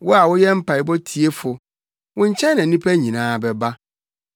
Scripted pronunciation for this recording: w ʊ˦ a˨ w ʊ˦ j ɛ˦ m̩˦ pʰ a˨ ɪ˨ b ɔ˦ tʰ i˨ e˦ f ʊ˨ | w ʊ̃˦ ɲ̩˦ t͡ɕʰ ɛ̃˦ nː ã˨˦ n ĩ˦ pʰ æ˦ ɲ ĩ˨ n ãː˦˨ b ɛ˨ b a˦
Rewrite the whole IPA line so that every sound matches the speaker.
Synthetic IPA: w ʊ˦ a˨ w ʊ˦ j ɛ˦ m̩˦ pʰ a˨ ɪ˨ b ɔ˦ tʰ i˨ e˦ f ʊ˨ | w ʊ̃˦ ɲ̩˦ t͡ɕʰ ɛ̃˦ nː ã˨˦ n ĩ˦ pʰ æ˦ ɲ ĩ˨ n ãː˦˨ b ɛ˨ b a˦